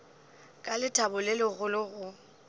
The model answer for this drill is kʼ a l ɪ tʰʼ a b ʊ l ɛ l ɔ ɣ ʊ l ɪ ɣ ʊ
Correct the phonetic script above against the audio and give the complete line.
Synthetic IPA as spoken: kʼ a l ɪ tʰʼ a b ʊ l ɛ l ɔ ɣ ʊ l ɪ ɣ ʊ

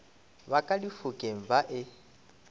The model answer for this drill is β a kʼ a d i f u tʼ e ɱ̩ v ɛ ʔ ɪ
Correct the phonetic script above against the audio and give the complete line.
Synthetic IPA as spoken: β a kʼ a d i f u kʼ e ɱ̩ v a ʔ ɪ

